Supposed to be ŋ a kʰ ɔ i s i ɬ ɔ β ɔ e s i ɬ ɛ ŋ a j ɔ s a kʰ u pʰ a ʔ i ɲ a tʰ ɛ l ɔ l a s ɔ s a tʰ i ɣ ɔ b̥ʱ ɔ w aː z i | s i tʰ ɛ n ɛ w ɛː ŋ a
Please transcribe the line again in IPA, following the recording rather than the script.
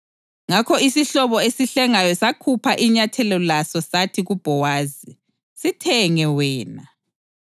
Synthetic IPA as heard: ŋ a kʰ ɔ i s i ɬ ɔ β ɔ e s i ɬ ɛ ŋ a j ɔ s a kʰ u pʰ a ʔ i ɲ a tʰ ɛ l ɔ l a s ɔ s a tʰ i ɣ u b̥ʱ ɔ w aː z i | s i tʰ ɛ ŋ ɛ w ɛː n a